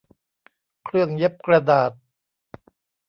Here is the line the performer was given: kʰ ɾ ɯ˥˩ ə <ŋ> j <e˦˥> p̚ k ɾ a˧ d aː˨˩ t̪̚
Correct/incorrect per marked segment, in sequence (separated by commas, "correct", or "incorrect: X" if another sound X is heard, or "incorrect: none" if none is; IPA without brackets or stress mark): correct, correct